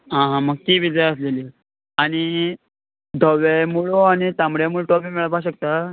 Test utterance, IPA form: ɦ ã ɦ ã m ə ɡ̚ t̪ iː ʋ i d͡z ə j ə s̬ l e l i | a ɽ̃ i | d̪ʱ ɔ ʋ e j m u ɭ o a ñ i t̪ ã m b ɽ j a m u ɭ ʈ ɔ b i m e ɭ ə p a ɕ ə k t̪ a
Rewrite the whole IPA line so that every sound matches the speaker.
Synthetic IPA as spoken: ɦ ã ɦ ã m ə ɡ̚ t̪ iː ʋ i d͡z ə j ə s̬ l e l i | a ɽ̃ i | d̪ʱ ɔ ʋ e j m u ɭ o a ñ i t̪ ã m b ɽ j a m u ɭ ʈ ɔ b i m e ɭ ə p a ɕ ə k t̪ a